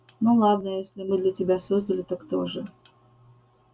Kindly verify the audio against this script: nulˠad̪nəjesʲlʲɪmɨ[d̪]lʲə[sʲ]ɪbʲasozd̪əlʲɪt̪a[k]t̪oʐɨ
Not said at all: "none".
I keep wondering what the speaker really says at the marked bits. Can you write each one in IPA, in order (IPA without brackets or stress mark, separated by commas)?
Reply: d̪, tʲ, k